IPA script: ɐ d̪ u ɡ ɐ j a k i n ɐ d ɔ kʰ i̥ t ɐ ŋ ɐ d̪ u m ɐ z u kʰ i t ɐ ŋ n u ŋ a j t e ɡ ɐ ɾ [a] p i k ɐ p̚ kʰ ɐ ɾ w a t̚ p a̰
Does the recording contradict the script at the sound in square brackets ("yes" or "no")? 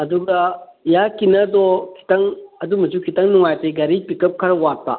yes